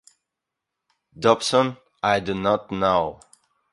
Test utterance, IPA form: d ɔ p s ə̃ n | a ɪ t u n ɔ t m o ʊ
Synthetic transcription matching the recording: d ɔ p s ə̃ n | a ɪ d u n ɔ t n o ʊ